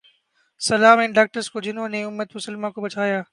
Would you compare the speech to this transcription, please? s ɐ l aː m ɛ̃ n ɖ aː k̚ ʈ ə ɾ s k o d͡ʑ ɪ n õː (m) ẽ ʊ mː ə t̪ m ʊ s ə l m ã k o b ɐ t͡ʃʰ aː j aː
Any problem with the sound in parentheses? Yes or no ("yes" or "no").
yes